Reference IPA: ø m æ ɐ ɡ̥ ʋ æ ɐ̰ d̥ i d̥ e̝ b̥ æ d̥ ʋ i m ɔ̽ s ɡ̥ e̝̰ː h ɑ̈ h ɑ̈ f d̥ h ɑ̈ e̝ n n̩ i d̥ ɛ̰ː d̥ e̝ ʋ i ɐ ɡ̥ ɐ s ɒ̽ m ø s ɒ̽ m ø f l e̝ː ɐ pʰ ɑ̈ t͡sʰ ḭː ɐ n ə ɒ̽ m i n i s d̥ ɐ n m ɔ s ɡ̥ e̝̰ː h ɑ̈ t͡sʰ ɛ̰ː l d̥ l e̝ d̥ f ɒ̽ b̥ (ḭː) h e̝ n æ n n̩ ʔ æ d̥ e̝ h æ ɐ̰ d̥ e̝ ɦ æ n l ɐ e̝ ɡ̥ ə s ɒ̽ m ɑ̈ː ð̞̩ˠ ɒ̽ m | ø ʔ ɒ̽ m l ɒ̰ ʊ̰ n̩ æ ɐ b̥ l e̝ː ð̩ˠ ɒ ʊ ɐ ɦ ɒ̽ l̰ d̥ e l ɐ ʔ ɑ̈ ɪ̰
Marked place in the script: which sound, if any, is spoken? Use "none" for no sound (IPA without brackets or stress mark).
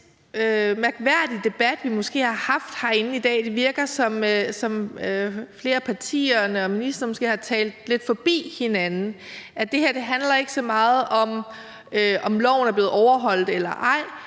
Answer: ḭː